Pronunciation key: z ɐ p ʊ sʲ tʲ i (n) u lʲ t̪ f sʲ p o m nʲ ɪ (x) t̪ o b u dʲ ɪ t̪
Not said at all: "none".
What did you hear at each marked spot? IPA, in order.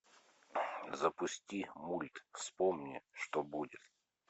m, ʂ

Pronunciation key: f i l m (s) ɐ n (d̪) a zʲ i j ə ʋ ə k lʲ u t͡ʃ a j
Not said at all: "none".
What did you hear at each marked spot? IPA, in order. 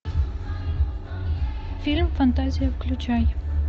f, t̪

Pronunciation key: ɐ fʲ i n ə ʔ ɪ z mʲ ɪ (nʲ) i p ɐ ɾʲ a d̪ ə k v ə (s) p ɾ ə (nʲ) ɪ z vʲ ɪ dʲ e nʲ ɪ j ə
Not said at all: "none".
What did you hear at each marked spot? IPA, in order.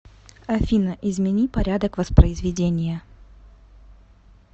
nʲ, s, none

